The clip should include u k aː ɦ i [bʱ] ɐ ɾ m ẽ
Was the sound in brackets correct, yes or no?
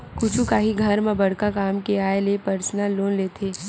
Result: no